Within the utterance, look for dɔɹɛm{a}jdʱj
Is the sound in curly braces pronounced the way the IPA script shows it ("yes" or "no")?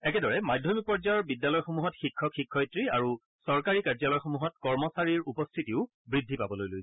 yes